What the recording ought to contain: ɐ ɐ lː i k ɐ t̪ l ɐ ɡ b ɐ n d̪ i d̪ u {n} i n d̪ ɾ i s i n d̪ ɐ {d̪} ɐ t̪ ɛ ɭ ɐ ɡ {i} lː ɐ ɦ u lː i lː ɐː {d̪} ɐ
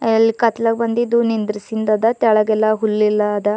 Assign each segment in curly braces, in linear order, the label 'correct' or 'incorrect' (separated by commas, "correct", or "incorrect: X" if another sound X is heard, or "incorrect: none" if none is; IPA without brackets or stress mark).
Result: correct, correct, incorrect: ɛ, correct